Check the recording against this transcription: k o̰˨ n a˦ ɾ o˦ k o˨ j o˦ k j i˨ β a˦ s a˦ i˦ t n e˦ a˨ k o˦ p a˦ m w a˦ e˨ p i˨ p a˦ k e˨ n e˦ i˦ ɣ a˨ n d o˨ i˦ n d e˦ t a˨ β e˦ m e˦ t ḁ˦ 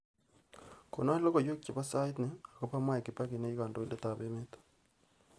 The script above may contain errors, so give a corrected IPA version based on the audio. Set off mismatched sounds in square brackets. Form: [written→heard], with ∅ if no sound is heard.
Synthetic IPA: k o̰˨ n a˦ [ɾ→l] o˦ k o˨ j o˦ k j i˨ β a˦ s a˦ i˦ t n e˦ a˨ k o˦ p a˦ m w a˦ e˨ [p→k] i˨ p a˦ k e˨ n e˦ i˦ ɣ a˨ n d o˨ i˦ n d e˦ t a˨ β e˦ m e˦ t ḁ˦